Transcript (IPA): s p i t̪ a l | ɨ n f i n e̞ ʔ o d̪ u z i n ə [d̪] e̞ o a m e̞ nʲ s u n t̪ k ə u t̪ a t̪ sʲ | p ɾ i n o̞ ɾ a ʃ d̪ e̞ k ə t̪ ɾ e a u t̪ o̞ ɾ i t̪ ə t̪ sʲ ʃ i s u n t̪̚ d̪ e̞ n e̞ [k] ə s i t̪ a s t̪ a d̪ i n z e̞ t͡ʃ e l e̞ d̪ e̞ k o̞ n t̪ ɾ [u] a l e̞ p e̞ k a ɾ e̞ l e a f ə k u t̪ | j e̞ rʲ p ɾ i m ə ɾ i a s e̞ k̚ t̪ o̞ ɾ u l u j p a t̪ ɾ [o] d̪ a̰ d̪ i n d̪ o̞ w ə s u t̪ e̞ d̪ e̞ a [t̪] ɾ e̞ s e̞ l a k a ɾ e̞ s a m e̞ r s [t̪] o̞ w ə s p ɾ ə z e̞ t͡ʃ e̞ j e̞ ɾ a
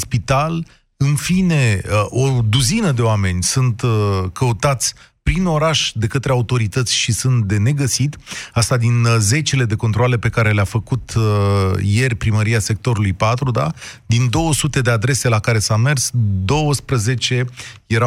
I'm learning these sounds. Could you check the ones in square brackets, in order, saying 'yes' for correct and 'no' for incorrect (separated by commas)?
yes, no, no, no, no, no